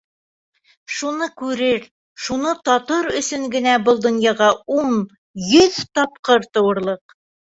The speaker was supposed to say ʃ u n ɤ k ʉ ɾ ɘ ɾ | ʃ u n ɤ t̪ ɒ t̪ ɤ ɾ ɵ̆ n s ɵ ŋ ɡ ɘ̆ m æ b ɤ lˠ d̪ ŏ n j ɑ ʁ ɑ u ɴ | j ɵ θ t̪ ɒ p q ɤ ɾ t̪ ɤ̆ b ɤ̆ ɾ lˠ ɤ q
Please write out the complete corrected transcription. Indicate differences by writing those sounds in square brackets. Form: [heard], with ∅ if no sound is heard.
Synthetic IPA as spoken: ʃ u n ɤ k ʉ ɾ ɘ ɾ | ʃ u n ɤ t̪ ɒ t̪ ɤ ɾ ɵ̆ [∅] s ɵ ŋ ɡ ɘ̆ [n] æ b ɤ lˠ d̪ ŏ n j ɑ ʁ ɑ u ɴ | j ɵ [ð] t̪ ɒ p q ɤ ɾ t̪ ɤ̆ [w] ɤ̆ ɾ lˠ ɤ q